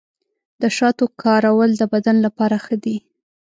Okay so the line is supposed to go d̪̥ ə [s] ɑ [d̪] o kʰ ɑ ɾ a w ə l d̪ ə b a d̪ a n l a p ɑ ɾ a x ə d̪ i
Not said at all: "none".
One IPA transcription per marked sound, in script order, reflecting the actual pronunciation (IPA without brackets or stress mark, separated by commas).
ʃ, t̪